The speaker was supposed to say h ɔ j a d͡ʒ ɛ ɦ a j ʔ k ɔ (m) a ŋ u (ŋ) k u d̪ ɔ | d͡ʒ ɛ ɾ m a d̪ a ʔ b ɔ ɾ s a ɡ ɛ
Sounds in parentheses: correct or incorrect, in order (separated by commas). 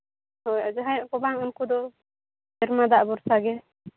incorrect, incorrect